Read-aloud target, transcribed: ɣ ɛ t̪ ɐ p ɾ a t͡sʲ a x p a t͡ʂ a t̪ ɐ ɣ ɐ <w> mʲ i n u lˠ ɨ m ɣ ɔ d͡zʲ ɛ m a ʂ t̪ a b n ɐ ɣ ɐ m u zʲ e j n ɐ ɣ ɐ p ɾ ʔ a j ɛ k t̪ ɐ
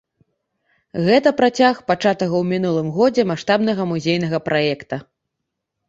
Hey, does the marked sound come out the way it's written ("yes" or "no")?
yes